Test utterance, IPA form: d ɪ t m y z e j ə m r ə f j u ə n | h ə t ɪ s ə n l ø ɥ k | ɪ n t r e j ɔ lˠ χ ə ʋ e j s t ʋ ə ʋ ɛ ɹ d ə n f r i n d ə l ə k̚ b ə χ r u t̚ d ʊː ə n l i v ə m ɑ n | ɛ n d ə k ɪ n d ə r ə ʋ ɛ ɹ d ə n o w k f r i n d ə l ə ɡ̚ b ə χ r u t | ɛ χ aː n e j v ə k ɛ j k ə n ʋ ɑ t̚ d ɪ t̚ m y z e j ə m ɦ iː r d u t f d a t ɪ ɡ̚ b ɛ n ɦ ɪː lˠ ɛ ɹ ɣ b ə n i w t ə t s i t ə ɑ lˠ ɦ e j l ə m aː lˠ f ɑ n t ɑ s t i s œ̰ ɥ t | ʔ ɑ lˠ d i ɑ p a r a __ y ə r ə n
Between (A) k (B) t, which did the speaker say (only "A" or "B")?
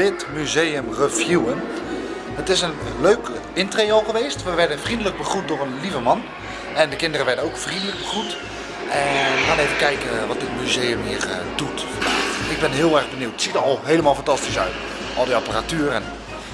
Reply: B